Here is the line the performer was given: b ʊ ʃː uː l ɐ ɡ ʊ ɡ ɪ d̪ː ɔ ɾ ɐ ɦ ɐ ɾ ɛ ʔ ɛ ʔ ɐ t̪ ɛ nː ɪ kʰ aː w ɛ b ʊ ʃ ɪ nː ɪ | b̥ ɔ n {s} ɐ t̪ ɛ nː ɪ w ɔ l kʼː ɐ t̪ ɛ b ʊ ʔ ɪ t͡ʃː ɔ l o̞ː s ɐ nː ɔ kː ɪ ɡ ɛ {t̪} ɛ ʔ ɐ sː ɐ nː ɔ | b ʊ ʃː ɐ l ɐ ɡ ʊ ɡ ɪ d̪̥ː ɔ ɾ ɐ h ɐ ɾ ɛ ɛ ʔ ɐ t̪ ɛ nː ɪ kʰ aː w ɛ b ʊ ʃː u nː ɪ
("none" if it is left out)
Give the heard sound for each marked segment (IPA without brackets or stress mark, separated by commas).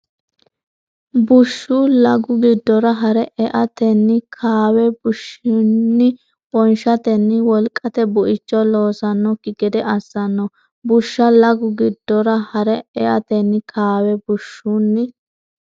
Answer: ʃ, d̪